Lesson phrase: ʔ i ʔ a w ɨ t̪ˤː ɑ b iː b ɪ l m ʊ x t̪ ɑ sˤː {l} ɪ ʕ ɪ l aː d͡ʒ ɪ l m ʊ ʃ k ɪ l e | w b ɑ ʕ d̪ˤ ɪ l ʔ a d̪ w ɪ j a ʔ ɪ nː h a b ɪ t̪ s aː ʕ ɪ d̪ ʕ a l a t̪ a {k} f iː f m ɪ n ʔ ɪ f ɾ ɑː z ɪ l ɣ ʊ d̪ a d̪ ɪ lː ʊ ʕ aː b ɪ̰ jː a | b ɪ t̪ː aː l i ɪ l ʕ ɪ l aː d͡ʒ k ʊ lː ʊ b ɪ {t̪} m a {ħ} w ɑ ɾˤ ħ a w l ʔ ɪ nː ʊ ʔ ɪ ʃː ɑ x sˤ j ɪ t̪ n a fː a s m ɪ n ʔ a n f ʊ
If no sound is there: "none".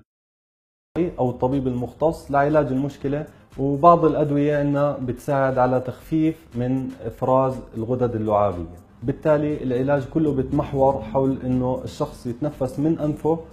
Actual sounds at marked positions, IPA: l, x, t̪, ħ

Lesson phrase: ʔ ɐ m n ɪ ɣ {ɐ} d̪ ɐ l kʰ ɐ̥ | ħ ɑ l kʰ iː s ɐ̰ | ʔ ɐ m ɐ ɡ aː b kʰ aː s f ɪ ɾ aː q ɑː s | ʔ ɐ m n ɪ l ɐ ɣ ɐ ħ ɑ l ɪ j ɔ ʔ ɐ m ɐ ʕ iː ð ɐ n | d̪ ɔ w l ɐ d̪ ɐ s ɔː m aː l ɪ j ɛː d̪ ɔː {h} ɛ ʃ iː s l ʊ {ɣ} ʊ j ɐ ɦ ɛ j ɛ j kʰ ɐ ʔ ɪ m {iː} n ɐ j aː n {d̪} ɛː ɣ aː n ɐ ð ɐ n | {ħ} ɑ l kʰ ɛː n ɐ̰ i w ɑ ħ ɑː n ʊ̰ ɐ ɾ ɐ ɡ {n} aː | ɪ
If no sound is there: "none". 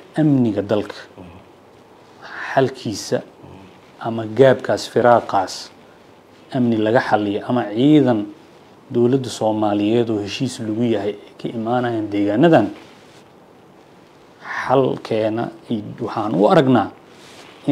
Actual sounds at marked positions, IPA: ɐ, h, ɣ, aː, d̪, ħ, n

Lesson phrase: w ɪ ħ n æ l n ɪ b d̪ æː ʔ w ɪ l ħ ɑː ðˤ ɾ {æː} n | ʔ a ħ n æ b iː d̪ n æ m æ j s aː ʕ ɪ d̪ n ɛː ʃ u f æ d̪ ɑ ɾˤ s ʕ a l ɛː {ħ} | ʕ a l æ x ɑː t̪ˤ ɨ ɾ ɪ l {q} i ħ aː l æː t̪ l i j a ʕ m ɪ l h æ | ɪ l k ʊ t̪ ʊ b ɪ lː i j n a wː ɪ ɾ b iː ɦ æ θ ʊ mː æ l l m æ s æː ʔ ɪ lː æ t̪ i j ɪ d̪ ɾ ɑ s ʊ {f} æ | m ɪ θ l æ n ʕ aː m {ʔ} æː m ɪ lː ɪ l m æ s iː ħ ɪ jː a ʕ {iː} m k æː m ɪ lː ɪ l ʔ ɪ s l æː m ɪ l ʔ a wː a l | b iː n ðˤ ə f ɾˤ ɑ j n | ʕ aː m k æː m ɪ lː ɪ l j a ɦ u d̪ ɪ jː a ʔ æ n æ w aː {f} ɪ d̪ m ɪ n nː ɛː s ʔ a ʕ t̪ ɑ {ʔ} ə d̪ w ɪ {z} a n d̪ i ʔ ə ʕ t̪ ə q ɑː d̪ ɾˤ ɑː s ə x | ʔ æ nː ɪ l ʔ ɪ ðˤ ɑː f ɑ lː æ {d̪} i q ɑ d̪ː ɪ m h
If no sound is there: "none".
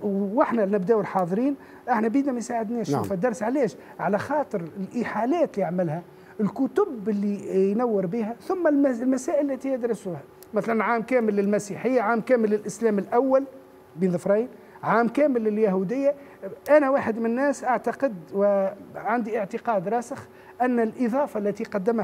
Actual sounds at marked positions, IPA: iː, ʃ, ʔ, h, k, aː, ħ, q, ʕ, t̪

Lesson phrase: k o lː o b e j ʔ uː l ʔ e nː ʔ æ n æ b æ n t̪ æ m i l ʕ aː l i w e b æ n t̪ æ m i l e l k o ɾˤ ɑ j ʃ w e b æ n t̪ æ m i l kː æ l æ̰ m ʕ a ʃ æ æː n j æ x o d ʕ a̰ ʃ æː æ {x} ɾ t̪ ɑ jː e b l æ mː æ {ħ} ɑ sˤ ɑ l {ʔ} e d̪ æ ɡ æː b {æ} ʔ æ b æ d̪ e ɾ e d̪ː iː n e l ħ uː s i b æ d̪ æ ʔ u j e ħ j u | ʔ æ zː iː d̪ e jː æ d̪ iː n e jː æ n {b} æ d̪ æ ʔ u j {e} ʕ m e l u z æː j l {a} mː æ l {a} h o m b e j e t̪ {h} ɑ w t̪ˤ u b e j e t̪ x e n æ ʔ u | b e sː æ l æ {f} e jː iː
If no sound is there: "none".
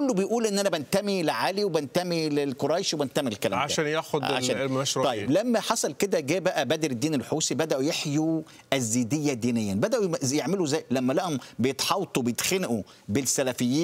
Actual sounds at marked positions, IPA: ʃ, ħ, k, æ, b, e, æ, æ, ħ, f

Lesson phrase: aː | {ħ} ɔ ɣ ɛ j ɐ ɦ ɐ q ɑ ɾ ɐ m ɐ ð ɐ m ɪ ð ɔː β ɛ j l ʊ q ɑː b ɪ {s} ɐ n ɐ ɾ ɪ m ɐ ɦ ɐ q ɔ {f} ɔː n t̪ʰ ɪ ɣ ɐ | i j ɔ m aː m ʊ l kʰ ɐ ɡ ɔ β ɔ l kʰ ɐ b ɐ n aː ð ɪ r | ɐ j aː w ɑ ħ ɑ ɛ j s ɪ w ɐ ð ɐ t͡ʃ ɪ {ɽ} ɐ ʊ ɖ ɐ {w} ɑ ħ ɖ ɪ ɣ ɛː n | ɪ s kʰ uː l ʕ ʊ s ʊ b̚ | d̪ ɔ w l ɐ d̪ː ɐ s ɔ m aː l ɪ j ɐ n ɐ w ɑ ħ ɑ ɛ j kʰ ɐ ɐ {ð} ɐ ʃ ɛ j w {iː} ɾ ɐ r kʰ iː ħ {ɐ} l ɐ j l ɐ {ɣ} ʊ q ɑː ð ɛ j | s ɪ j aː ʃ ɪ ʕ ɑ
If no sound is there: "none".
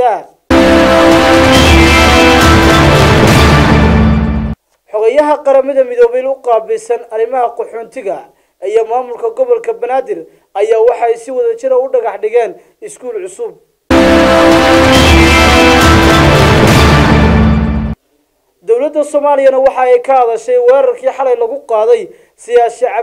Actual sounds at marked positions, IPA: ħ, s, ħ, ɾ, ɣ, ð, ɛː, ɑ, ɣ

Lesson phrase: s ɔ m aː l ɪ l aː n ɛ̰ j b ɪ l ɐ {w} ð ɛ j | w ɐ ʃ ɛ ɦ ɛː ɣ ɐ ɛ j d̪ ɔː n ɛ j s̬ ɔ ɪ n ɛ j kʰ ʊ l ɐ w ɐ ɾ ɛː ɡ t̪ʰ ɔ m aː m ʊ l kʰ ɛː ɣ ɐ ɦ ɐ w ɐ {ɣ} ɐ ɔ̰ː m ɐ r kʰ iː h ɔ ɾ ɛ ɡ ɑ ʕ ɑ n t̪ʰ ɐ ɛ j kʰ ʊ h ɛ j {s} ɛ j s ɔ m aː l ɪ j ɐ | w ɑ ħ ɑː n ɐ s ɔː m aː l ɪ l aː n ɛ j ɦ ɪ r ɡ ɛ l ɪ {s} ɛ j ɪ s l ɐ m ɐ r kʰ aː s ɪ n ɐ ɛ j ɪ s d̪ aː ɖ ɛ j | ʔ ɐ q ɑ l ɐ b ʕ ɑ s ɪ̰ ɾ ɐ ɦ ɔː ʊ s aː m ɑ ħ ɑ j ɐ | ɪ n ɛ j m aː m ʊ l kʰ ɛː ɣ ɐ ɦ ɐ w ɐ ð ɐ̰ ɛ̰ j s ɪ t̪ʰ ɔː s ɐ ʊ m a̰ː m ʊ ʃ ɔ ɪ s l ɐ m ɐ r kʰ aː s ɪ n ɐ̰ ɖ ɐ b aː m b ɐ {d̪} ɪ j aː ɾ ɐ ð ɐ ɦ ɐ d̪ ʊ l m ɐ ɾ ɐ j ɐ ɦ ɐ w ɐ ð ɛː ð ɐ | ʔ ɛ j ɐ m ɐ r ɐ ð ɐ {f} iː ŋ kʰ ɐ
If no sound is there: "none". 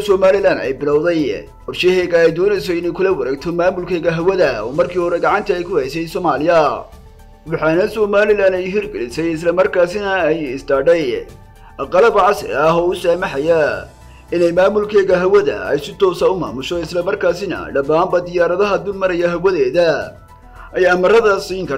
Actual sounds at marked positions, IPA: w, ð, s, s, d̪, s

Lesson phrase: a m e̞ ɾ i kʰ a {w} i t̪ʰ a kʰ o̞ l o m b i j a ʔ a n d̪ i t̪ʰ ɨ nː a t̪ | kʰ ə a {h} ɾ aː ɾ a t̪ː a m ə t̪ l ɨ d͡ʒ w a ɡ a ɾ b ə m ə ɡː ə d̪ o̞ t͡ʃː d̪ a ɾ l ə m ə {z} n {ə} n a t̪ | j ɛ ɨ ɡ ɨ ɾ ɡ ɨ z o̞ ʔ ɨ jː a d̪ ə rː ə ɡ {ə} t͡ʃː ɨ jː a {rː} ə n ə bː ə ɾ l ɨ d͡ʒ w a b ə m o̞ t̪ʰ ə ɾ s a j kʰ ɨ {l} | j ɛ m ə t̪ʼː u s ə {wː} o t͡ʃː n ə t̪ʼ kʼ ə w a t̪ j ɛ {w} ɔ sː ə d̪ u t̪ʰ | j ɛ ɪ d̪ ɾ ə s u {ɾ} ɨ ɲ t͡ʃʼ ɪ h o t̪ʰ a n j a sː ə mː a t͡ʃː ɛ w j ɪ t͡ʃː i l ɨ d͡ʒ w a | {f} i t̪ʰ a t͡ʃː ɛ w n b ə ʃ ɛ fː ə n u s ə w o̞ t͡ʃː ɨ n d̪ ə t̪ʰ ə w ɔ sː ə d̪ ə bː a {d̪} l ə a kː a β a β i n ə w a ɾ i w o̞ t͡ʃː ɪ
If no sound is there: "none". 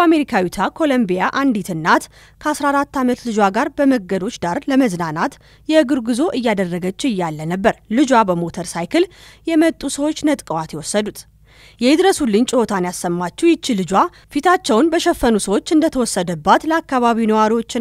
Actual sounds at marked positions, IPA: w, s, z, a, ə, lː, l, w, w, l, f, t̪

